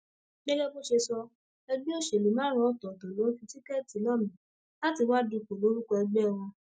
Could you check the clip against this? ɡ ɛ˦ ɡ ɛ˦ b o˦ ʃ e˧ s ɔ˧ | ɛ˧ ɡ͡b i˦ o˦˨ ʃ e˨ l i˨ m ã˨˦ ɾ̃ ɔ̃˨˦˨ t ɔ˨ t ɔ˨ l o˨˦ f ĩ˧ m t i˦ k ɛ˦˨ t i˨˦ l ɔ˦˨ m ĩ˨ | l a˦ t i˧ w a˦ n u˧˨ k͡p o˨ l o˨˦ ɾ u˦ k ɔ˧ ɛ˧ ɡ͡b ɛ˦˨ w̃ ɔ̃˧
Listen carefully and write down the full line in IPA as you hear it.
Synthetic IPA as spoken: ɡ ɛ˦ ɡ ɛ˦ b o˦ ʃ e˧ s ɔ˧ | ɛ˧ ɡ͡b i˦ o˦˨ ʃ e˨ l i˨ m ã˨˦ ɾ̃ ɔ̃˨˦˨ t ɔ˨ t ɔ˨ l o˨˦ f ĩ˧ t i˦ k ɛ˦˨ t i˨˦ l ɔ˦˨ m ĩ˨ | l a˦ t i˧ w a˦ d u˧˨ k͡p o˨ l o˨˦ ɾ u˦ k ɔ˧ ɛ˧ ɡ͡b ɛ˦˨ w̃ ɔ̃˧